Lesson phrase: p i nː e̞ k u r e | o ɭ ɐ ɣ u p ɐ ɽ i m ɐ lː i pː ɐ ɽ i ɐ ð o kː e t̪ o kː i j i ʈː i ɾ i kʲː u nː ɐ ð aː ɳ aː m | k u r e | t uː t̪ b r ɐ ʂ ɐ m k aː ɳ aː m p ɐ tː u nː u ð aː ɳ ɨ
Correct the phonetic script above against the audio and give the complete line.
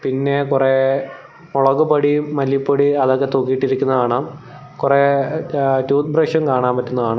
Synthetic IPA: p i nː e̞ k u r e | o ɭ ɐ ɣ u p ɐ ɽ i m ɐ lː i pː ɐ ɽ i ɐ ð o kː e t̪ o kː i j i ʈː i ɾ i kʲː u nː ɐ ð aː ɳ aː m | k u r e | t uː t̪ b r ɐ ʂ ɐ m k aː ɳ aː m p ɐ tː u nː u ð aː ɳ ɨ